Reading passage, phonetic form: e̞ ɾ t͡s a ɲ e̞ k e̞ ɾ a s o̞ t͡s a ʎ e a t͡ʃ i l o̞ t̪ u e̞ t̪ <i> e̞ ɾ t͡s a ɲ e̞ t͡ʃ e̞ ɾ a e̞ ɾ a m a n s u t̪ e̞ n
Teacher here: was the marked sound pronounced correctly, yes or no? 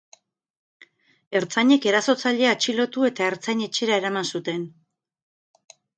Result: no